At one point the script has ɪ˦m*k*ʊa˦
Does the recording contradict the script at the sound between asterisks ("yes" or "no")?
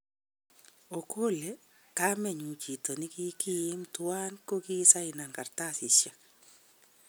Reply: yes